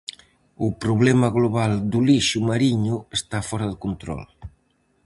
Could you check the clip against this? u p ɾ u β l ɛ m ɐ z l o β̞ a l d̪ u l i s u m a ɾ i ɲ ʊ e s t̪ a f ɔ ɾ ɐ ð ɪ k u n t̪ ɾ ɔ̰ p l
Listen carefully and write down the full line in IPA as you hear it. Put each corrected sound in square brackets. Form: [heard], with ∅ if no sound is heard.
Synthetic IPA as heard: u p ɾ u β l ɛ m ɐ [ɣ] l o β̞ a l d̪ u l i [ʃ] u m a ɾ i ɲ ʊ e s t̪ a f ɔ ɾ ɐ ð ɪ k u n t̪ ɾ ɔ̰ [∅] l